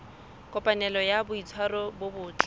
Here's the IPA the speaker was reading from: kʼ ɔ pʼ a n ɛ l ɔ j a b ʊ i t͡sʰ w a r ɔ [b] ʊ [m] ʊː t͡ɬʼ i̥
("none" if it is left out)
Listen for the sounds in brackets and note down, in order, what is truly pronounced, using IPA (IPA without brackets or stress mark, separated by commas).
b, b